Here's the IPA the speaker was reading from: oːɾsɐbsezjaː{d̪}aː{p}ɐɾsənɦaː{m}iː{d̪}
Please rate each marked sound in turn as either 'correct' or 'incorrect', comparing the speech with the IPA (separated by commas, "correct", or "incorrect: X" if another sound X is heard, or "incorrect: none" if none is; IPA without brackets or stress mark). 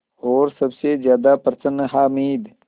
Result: correct, correct, correct, correct